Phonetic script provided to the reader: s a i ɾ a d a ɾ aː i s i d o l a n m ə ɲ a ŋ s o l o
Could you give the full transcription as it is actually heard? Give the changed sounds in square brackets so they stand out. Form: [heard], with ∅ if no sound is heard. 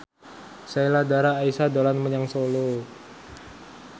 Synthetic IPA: s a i [l] a d a ɾ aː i s [a] d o l a n m ə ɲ a ŋ s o l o

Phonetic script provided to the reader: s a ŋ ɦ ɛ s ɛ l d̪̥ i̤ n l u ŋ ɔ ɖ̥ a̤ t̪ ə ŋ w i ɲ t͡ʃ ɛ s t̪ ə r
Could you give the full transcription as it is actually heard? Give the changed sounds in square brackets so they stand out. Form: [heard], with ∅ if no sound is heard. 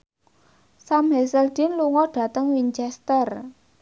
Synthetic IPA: s a [m] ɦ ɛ s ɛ l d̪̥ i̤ n l u ŋ ɔ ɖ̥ a̤ t̪ ə ŋ w i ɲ t͡ʃ ɛ s t̪ ə r

